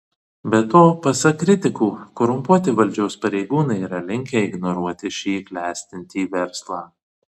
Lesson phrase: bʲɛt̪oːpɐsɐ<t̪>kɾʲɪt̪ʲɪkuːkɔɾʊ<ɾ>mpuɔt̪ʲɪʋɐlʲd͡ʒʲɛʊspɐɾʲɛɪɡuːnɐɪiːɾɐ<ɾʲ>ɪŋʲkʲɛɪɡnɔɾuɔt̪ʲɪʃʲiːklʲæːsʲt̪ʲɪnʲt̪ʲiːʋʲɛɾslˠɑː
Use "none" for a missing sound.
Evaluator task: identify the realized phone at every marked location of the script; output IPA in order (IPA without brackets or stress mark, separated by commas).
none, none, lʲ